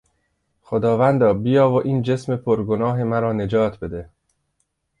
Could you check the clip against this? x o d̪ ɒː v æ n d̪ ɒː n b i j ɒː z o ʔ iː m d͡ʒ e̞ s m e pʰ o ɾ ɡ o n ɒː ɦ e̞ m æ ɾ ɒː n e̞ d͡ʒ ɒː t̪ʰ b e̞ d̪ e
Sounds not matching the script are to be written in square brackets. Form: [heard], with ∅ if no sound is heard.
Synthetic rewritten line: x o d̪ ɒː v æ n d̪ ɒː [∅] b i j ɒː [v] o ʔ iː [n] d͡ʒ e̞ s m e pʰ o ɾ ɡ o n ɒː ɦ e̞ m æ ɾ ɒː n e̞ d͡ʒ ɒː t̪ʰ b e̞ d̪ e

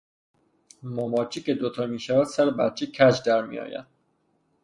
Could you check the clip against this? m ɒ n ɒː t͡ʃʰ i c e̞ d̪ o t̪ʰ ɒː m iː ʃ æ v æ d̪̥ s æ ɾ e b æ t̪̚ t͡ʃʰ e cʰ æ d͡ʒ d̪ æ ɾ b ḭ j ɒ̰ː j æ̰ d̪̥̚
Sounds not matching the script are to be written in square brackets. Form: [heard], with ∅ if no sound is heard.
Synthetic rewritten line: m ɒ [m] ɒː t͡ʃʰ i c e̞ d̪ o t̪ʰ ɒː m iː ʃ æ v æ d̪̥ s æ ɾ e b æ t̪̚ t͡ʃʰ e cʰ æ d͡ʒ d̪ æ ɾ [m] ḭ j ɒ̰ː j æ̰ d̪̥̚

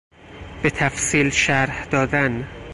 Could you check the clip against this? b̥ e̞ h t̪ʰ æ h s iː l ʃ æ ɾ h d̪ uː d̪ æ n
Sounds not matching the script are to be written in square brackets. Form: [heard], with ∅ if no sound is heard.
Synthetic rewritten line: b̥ e̞ [∅] t̪ʰ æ [f] s iː l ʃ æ ɾ h d̪ [ɒː] d̪ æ n

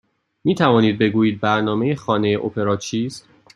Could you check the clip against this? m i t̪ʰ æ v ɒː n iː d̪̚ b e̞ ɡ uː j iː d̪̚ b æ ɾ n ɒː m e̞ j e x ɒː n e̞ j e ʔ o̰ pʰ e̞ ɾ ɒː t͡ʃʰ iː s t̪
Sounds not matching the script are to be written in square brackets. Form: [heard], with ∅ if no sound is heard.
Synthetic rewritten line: m [iː] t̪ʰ æ v ɒː n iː d̪̚ b e̞ ɡ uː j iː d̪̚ b æ ɾ n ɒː m e̞ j e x ɒː n e̞ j e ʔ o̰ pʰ e̞ ɾ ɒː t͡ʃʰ iː s t̪

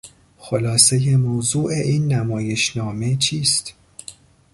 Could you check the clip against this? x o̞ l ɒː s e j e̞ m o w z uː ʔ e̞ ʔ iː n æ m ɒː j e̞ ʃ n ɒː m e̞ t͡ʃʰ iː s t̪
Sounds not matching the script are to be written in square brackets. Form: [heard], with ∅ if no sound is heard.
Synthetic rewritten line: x o̞ l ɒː s e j e̞ m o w z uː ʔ e̞ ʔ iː [nː] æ m ɒː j e̞ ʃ n ɒː m e̞ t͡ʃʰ iː s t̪

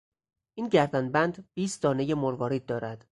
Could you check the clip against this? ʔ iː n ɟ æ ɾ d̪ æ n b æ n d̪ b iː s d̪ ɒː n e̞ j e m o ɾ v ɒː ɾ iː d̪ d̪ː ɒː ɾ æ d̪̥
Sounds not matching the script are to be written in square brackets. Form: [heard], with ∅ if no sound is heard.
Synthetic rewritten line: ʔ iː n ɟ æ ɾ d̪ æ n b æ n d̪ b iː s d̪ ɒː n e̞ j e m o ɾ v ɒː ɾ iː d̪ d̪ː ɒː ɾ æ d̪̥

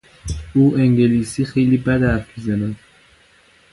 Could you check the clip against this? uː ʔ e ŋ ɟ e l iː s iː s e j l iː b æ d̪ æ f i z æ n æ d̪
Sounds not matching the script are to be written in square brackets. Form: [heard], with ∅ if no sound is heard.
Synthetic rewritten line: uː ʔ e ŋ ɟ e l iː s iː [x] e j l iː b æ d̪ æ f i z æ n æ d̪

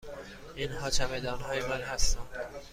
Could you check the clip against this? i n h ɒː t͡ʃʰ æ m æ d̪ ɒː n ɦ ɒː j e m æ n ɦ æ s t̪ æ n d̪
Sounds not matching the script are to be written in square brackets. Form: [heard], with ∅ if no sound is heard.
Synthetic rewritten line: i n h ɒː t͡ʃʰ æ m [e] d̪ ɒː n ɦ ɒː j e m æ n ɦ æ s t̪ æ n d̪

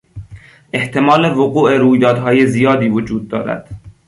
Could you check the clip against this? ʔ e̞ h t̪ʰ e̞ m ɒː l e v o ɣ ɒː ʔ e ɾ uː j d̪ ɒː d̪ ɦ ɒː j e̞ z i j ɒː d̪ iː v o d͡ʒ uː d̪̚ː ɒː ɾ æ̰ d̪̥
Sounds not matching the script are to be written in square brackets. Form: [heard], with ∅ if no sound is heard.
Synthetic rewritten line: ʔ e̞ h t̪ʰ e̞ m ɒː l e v o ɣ [uː] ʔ e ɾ uː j d̪ ɒː d̪ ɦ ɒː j e̞ z i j ɒː d̪ iː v o d͡ʒ uː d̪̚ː ɒː ɾ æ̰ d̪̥

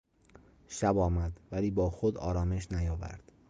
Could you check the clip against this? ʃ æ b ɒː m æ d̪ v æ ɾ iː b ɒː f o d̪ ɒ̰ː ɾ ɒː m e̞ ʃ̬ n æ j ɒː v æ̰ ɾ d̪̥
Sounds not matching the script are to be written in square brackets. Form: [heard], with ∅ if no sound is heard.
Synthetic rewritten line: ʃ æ b ɒː m æ d̪ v æ [l] iː b ɒː [x] o d̪ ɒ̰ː ɾ ɒː m e̞ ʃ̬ n æ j ɒː v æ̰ ɾ d̪̥

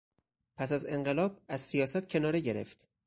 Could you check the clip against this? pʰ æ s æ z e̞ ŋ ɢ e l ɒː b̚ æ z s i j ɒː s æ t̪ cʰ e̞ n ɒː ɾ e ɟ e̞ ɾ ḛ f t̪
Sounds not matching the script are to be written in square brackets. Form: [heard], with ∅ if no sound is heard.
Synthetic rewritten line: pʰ æ s æ z e̞ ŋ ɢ e l ɒː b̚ æ z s i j ɒː s æ t̪ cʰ e̞ n ɒː ɾ e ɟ e̞ ɾ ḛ f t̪

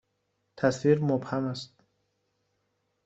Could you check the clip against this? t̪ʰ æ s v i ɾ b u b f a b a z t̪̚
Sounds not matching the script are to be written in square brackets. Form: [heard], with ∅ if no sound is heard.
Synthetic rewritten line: t̪ʰ [a] s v i ɾ [m] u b [h] a [m] a [s] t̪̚

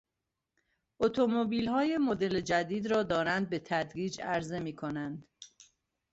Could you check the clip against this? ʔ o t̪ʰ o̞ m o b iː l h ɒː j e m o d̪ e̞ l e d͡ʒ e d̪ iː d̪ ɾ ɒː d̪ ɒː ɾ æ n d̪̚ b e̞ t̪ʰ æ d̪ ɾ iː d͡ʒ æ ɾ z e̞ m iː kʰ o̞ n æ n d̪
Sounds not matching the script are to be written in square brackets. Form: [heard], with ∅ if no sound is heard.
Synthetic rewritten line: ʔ o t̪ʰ o̞ m o b iː l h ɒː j e m o d̪ e̞ l e d͡ʒ [æ] d̪ iː d̪ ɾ ɒː d̪ ɒː ɾ æ n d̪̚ b e̞ t̪ʰ æ d̪ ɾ iː d͡ʒ æ ɾ z e̞ m iː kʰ o̞ n æ n d̪

